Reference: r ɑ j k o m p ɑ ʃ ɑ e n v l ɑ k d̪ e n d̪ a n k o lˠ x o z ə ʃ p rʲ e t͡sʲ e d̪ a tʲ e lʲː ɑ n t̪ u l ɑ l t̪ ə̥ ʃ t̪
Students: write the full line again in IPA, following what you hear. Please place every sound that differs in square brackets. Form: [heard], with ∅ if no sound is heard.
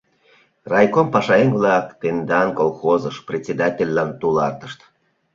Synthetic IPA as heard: r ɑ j k o m p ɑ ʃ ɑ e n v l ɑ k [t̪] e n d̪ [ɑ] n k o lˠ x o z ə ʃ p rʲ e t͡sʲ e d̪ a tʲ e lʲː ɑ n t̪ u l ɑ [r] t̪ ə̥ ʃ t̪

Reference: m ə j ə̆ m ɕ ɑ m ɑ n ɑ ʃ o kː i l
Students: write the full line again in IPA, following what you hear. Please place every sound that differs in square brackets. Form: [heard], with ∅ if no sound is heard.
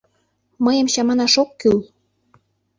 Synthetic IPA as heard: m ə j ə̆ m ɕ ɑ m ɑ n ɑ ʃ o kː [y] l

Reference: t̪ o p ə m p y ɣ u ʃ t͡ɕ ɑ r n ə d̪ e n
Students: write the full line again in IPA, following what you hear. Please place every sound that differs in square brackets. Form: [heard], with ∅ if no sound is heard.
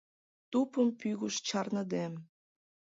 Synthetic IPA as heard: t̪ [u] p ə m p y ɣ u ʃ t͡ɕ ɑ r n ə d̪ e [m]

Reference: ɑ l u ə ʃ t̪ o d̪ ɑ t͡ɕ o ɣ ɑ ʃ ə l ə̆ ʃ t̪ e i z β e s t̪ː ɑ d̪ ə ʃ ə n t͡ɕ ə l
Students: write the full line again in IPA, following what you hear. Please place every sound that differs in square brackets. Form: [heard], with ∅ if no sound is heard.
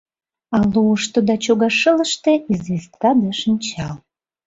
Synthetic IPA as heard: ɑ l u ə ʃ t̪ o d̪ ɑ t͡ɕ o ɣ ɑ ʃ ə l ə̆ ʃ t̪ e i z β e s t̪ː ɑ d̪ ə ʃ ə n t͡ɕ [ɑ] l

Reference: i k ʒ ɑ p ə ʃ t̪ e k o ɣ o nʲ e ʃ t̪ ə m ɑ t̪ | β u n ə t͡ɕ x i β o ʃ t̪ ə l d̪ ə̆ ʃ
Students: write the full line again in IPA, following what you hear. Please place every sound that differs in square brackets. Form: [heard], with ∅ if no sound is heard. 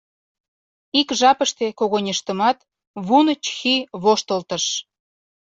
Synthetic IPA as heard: i k ʒ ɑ p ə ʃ t̪ e k o ɣ o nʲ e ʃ t̪ ə m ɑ t̪ | β u n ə t͡ɕ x i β o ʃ t̪ ə l [t̪] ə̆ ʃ

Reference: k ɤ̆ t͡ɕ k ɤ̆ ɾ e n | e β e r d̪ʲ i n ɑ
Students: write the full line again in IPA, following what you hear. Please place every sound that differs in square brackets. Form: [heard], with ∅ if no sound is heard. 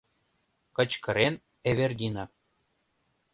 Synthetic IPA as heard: k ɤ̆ t͡ɕ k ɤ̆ ɾ e n | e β e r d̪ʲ i n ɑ

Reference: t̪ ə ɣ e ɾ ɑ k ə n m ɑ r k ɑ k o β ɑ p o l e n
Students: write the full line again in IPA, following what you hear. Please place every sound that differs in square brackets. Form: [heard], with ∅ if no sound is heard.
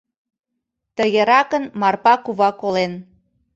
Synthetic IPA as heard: t̪ ə ɣ e ɾ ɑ k ə n m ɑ r [p] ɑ k [u] β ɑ [k] o l e n

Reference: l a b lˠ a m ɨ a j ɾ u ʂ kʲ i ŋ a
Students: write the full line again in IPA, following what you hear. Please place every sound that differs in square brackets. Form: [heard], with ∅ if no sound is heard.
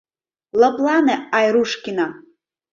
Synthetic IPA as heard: l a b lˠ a [n] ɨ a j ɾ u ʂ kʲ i [n] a

